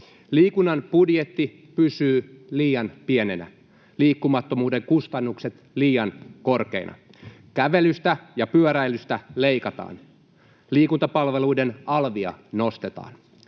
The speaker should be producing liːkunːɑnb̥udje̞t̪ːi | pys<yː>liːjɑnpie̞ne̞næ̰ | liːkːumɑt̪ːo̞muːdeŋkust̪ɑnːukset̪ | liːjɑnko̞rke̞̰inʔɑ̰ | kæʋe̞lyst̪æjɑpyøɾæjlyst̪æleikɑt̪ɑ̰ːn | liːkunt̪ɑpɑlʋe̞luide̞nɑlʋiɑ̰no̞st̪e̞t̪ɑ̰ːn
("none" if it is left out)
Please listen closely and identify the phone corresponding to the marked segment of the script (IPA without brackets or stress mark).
yː